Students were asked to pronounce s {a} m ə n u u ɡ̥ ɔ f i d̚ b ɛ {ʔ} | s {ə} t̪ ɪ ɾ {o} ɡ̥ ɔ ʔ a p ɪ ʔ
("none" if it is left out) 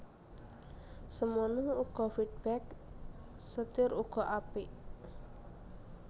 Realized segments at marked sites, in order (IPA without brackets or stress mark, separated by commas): ə, k, ə, u